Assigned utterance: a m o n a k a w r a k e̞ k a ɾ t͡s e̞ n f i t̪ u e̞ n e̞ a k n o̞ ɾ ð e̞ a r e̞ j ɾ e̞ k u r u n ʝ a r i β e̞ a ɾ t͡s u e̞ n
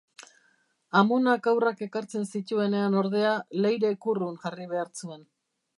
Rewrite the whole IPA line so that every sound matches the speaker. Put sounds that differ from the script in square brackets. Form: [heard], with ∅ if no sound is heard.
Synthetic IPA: a m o n a k a w r a k e̞ k a ɾ t͡s e̞ n [s] i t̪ u e̞ n e̞ a [∅] n o̞ ɾ ð e̞ a [l] e̞ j ɾ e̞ k u r u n ʝ a r i β e̞ a ɾ t͡s u e̞ n

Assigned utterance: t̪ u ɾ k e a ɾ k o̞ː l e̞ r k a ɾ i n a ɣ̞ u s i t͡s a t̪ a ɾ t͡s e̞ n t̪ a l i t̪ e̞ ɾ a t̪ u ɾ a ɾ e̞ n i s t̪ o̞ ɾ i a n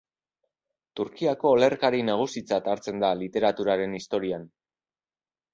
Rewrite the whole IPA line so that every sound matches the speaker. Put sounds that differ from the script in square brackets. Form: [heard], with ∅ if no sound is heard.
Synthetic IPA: t̪ u ɾ k [i] a [∅] k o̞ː l e̞ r k a ɾ i n a ɣ̞ u s i t͡s a t̪ a ɾ t͡s e̞ n [d̪] a l i t̪ e̞ ɾ a t̪ u ɾ a ɾ e̞ n i s t̪ o̞ ɾ i a n

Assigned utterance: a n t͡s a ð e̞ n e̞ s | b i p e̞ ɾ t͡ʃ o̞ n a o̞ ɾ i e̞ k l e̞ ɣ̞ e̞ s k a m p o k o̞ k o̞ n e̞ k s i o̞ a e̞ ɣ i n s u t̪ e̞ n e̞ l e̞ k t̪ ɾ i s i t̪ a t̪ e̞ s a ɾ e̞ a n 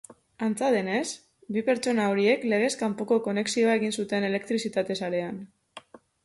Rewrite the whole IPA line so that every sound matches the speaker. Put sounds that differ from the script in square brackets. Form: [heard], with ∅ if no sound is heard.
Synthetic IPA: a n t͡s a ð e̞ n e̞ s | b i p e̞ ɾ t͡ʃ o̞ n a o̞ ɾ i e̞ k l e̞ ɣ̞ e̞ s k a m p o k o̞ k o̞ n e̞ k s i o̞ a e̞ ɣ i n s u t̪ e̞ n e̞ l e̞ k t̪ ɾ i s i t̪ a t̪ e̞ s a ɾ e̞ a n

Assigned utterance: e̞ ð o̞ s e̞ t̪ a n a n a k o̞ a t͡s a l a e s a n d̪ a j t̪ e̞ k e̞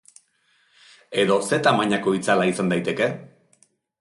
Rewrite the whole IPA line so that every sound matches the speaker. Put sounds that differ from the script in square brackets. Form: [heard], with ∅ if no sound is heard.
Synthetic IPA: e̞ ð o̞ s e̞ t̪ a [m] a [ɲ] a k o̞ [i] t͡s a l a [i] s a n d̪ a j t̪ e̞ k e̞

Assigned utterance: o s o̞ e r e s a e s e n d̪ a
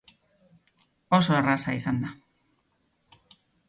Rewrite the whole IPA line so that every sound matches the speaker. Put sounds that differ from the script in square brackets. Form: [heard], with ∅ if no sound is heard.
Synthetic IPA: o s o̞ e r [a] s a [i] s [a] n d̪ a

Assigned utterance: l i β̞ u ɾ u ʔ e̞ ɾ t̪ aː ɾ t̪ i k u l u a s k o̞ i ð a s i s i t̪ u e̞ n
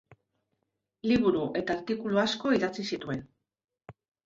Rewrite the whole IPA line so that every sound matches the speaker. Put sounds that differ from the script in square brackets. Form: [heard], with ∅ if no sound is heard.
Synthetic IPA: l i β̞ u ɾ u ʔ e̞ [∅] t̪ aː ɾ t̪ i k u l u a s k o̞ i ð a [t͡s] i s i t̪ u e̞ n

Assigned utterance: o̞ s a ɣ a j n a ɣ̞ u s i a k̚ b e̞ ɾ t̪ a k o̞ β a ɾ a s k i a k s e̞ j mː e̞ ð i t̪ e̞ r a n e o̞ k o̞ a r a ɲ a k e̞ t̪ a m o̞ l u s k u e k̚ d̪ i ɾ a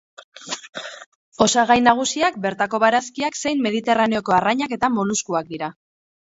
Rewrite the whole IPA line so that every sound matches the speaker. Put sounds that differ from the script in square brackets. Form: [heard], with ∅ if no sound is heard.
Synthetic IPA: o̞ s a ɣ a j n a ɣ̞ u s i a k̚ b e̞ ɾ t̪ a k o̞ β a ɾ a s k i a k s e̞ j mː e̞ ð i t̪ e̞ r a n e o̞ k o̞ a r a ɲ a k e̞ t̪ a m o̞ l u s k u [a] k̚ d̪ i ɾ a

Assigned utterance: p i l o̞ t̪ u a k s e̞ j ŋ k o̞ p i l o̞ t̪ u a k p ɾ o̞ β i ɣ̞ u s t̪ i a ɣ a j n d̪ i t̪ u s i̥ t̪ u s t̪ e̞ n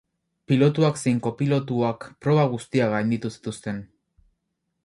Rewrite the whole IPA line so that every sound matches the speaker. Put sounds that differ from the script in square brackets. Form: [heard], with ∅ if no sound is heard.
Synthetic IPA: p i l o̞ t̪ u a k s e̞ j ŋ k o̞ p i l o̞ t̪ u a k p ɾ o̞ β [a] ɣ̞ u s t̪ i a ɣ a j n d̪ i t̪ u s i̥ t̪ u s t̪ e̞ n

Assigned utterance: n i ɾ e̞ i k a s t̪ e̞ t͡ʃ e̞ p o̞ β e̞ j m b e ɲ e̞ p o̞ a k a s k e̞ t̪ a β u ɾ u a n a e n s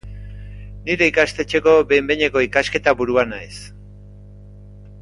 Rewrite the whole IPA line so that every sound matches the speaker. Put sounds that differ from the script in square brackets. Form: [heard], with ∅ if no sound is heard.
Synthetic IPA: n i ɾ e̞ i k a s t̪ e̞ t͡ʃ e̞ [k] o̞ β e̞ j m b e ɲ e̞ [k] o̞ [i] k a s k e̞ t̪ a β u ɾ u a n a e [∅] s

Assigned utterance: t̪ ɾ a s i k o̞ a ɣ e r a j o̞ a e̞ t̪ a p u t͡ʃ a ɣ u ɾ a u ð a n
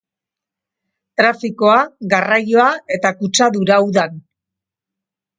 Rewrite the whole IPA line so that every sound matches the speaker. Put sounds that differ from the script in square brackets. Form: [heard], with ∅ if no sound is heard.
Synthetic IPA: t̪ ɾ a [f] i k o̞ a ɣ [a] r a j o̞ a e̞ t̪ a [k] u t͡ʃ a [ð] u ɾ a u ð a n

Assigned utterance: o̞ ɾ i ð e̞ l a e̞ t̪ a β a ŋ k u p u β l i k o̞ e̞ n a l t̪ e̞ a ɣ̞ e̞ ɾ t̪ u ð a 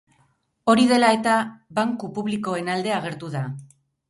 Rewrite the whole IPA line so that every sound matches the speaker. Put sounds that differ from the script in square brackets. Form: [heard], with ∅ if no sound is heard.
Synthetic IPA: o̞ ɾ i ð e̞ l a e̞ t̪ a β a ŋ k u p u β l i k o̞ e̞ n a l [d̪] e̞ a ɣ̞ e̞ ɾ t̪ u ð a

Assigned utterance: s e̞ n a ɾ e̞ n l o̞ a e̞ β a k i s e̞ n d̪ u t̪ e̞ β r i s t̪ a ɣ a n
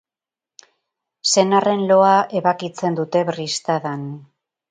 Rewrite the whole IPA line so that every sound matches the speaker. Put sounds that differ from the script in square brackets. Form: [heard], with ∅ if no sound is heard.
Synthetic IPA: s e̞ n a [r] e̞ n l o̞ a e̞ β a k i [t͡s] e̞ n d̪ u t̪ e̞ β r i s t̪ a [ð] a n

